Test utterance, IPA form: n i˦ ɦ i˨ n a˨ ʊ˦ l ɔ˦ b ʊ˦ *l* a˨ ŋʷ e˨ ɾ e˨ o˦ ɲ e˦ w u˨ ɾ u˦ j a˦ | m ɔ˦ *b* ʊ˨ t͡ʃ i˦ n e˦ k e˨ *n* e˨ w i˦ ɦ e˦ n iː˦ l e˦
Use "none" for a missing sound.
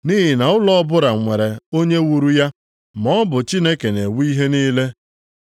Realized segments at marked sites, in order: ɾ, b, n

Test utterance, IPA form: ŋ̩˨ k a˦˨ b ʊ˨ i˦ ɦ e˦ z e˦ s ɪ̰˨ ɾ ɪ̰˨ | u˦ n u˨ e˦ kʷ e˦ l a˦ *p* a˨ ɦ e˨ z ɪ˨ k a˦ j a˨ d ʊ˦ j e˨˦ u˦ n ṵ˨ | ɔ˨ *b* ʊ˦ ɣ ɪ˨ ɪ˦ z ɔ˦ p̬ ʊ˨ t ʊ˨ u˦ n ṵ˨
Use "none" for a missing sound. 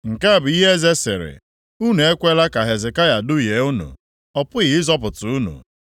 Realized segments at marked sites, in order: k, p

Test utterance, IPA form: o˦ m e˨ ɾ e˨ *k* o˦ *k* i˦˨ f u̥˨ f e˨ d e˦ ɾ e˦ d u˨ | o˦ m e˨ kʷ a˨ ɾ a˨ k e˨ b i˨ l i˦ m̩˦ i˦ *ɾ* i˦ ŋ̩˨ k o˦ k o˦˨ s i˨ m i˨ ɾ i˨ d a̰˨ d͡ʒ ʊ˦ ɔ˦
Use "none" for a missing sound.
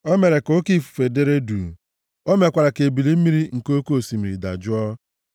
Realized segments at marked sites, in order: k, k, ɾ

